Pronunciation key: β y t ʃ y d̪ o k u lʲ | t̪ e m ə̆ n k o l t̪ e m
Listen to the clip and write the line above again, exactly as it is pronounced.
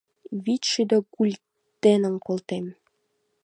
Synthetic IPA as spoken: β i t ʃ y d̪ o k u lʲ | t̪ e n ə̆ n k o l t̪ e m